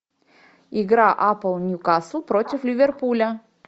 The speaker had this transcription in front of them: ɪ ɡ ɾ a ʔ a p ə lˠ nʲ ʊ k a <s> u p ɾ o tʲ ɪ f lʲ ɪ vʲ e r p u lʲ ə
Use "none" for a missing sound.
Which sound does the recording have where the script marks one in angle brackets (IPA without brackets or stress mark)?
s